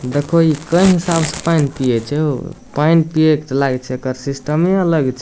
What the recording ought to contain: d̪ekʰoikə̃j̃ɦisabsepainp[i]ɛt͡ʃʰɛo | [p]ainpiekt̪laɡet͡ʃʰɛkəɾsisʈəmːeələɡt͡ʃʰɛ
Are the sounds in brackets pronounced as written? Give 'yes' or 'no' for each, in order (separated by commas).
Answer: yes, yes